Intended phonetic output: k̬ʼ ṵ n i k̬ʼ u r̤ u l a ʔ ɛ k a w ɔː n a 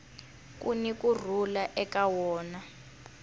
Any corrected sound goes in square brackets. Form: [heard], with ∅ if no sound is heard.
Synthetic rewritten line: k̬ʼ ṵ n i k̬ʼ u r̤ u l a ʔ ɛ k a w ɔː n a